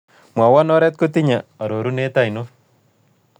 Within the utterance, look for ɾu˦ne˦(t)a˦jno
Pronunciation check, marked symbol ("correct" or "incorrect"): correct